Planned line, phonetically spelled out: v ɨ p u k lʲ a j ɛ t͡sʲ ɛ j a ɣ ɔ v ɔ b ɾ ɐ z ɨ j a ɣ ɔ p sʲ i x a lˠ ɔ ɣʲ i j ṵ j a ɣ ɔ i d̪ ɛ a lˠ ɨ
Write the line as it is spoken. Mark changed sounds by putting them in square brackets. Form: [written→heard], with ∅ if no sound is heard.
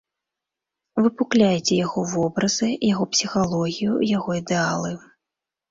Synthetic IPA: v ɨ p u k lʲ a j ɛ t͡sʲ ɛ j a ɣ ɔ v ɔ b ɾ ɐ z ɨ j a ɣ ɔ p sʲ i x a lˠ ɔ ɣʲ i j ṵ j a ɣ ɔ i d̪ ɛ a lˠ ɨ